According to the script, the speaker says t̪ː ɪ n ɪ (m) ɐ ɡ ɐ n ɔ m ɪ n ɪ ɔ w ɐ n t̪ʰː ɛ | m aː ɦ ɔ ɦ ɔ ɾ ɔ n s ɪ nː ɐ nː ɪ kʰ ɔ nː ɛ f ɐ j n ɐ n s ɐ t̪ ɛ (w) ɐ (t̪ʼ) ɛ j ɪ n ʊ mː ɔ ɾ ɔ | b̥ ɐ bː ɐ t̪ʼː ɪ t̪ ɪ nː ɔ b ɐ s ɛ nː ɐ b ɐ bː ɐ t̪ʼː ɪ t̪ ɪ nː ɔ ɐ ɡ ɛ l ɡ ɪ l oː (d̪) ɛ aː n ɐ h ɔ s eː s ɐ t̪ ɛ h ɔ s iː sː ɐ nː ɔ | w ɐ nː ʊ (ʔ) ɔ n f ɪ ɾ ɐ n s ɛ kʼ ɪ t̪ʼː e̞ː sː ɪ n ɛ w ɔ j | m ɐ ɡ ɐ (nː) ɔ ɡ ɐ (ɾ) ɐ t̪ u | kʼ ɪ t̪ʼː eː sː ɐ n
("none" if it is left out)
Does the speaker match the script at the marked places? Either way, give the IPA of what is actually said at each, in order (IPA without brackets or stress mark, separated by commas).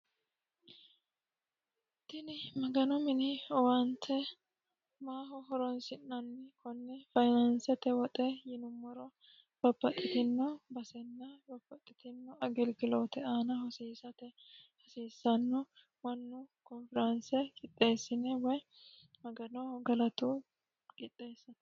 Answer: m, w, t̪ʼ, t̪, k, n, l